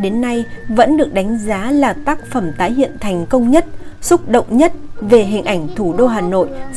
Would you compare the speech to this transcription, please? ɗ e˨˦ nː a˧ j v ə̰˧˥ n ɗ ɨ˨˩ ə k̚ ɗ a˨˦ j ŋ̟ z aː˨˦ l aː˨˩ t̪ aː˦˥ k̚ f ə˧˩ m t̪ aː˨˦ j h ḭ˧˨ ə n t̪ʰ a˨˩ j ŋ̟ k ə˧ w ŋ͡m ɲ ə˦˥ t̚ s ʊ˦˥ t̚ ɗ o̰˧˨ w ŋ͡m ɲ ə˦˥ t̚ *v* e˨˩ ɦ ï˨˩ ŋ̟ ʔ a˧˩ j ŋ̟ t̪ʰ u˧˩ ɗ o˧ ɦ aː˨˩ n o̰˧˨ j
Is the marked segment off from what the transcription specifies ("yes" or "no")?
no